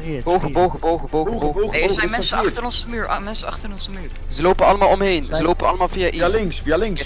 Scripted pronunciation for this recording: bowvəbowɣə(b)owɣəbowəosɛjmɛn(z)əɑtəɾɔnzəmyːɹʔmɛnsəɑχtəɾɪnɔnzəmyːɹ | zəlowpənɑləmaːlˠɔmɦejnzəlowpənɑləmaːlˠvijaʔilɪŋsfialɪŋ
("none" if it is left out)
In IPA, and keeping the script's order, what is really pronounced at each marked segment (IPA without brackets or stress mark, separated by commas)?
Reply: b, s